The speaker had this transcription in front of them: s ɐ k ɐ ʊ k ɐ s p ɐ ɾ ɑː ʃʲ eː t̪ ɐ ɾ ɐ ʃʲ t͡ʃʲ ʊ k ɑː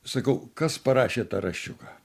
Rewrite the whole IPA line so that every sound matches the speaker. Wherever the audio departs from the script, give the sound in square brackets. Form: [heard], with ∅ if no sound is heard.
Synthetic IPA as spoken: s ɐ k ɐ ʊ k ɐ s p ɐ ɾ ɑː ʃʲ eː t̪ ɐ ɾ ɐ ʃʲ t͡ʃʲ ʊ k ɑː